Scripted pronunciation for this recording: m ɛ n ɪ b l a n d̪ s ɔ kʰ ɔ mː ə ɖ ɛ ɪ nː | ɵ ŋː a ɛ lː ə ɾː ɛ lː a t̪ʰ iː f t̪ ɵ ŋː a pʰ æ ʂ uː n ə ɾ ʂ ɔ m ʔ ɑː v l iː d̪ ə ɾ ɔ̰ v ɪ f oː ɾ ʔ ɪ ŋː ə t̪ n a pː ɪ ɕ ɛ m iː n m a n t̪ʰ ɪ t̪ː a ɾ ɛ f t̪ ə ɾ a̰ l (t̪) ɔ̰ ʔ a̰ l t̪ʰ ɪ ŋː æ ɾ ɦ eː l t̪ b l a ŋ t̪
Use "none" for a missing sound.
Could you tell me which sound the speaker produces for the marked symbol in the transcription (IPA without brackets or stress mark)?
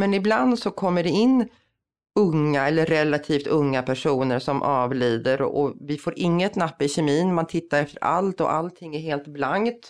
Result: t̪